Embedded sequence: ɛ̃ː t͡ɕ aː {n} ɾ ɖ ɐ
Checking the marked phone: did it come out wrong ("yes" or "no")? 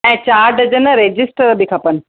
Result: yes